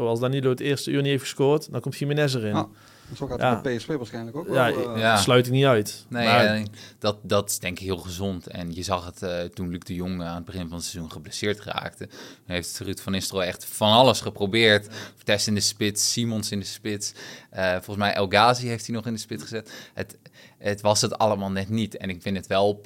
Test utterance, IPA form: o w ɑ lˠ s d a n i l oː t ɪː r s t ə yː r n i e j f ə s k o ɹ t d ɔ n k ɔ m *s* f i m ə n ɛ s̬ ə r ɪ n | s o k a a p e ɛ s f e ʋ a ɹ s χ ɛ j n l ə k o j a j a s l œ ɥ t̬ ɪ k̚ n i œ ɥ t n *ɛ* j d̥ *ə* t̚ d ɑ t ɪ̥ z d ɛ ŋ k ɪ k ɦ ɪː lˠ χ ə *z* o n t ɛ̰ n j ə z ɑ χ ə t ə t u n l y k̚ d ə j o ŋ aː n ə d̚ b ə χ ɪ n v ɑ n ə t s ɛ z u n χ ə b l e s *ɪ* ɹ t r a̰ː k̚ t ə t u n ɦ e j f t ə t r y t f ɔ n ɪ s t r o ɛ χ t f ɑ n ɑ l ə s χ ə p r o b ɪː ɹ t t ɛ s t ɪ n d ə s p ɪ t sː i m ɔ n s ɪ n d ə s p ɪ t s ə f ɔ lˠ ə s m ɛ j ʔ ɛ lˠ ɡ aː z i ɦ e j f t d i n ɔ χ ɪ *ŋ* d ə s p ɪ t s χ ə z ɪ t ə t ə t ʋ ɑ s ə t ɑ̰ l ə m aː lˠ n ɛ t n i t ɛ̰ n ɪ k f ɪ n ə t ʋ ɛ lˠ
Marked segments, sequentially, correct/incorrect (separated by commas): incorrect, incorrect, incorrect, correct, incorrect, incorrect